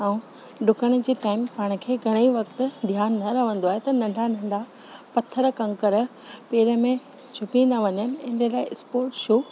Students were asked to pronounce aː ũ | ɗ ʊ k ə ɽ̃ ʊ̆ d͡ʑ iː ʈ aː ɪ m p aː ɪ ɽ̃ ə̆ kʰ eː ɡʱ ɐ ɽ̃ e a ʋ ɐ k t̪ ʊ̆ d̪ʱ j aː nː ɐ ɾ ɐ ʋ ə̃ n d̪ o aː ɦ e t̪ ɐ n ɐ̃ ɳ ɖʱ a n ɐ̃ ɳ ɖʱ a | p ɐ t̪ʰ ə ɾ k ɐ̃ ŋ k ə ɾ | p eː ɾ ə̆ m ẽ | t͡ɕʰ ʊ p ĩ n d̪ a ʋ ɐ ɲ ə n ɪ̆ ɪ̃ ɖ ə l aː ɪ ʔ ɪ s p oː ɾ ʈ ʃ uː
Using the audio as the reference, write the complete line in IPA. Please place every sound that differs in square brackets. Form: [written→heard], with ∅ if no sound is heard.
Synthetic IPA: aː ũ | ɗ ʊ k ə ɽ̃ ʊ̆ d͡ʑ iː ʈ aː ɪ m p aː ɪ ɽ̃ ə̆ kʰ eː ɡʱ ɐ ɽ̃ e [a→i] ʋ ɐ k t̪ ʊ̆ d̪ʱ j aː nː ɐ ɾ ɐ ʋ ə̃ n d̪ o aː ɦ e t̪ ɐ n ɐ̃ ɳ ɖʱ a n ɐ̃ ɳ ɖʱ a | p ɐ t̪ʰ ə ɾ k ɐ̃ ŋ k ə ɾ | p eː ɾ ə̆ m ẽ | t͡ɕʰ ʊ p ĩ n d̪ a ʋ ɐ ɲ ə n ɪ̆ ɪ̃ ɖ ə l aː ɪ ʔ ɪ s p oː ɾ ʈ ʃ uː